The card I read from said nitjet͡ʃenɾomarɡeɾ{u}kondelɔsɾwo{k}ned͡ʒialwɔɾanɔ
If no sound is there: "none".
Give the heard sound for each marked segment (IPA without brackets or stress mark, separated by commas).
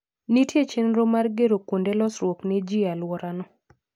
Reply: o, k